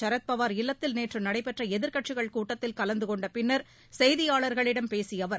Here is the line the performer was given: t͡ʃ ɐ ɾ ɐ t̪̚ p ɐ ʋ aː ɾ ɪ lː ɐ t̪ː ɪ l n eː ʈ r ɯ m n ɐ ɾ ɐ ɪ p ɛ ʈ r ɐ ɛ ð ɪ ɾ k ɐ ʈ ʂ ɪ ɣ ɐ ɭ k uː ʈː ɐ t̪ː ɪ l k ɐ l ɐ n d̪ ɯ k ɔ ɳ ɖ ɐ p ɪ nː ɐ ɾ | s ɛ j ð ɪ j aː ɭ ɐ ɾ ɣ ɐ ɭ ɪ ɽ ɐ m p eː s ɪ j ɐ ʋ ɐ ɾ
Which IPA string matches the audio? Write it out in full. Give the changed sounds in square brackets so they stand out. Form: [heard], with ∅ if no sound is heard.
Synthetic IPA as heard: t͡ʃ ɐ ɾ ɐ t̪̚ p ɐ ʋ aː ɾ ɪ lː ɐ t̪ː ɪ l n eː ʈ r ɯ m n ɐ [ɽ] ɐ ɪ p ɛ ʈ r ɐ ɛ ð ɪ ɾ k ɐ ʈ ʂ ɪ ɣ ɐ ɭ k uː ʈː ɐ t̪ː ɪ l k ɐ l ɐ n d̪ ɯ k ɔ ɳ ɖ ɐ p ɪ nː ɐ ɾ | s ɛ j ð ɪ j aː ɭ ɐ ɾ ɣ ɐ ɭ ɪ ɽ ɐ m p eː s ɪ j ɐ ʋ ɐ ɾ